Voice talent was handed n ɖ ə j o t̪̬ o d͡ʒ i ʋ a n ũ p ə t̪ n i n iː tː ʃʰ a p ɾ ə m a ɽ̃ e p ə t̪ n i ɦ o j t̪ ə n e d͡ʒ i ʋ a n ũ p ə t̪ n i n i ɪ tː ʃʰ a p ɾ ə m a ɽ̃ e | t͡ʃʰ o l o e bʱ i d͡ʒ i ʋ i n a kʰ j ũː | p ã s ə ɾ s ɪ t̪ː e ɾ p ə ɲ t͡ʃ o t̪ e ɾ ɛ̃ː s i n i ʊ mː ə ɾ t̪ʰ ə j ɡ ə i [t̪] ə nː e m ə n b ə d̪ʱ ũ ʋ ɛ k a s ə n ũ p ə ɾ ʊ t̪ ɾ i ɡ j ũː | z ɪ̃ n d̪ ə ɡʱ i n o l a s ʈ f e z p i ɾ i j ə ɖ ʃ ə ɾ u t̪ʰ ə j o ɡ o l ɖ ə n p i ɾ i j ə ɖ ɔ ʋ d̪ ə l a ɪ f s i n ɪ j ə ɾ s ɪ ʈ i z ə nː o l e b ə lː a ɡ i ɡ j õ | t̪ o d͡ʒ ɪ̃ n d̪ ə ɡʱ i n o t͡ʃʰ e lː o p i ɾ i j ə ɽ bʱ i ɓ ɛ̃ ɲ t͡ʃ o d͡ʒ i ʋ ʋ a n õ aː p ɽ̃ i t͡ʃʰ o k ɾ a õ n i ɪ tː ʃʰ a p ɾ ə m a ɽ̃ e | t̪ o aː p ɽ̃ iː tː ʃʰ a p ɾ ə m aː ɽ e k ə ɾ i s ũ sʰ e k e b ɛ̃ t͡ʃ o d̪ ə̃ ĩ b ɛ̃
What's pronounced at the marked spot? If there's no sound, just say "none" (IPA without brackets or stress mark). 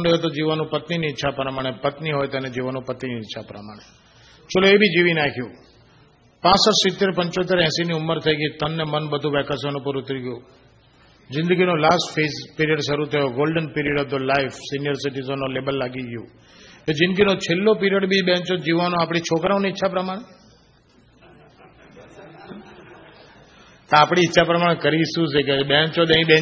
t̪